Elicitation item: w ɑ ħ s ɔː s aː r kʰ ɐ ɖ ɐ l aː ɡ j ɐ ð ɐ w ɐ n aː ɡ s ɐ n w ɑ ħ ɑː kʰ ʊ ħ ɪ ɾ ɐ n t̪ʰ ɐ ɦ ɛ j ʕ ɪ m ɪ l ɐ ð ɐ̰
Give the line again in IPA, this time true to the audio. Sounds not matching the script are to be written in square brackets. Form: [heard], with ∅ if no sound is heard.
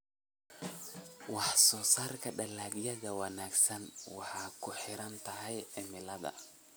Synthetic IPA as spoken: w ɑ ħ s ɔː s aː r kʰ ɐ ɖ ɐ l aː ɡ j ɐ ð ɐ w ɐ n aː ɡ s ɐ n w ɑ ħ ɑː kʰ ʊ ħ ɪ ɾ ɐ n t̪ʰ ɐ ɦ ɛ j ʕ ɪ m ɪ l ɐ ð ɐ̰